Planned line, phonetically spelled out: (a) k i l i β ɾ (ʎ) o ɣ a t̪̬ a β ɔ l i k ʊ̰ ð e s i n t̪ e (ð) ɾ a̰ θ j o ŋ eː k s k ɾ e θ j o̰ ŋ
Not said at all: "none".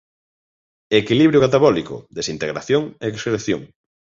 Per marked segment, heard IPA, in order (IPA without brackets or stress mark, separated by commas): e, j, ɣ